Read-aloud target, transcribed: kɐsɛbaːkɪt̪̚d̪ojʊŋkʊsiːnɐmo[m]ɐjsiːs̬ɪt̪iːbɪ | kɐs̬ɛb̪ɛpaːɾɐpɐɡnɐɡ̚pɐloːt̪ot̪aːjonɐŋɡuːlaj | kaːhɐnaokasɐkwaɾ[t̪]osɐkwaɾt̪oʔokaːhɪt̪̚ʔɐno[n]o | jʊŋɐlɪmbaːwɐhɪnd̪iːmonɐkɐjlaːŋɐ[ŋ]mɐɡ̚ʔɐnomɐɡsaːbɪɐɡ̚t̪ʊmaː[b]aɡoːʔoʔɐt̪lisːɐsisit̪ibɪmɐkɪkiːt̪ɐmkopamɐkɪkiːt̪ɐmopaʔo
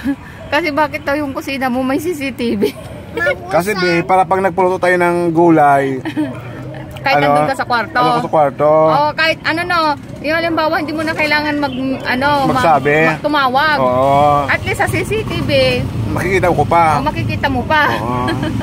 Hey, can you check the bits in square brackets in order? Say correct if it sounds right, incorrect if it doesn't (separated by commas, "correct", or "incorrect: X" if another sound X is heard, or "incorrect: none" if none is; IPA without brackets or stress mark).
correct, correct, correct, incorrect: n, incorrect: w